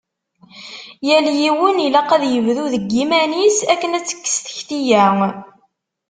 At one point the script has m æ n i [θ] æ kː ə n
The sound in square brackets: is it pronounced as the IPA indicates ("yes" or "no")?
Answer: no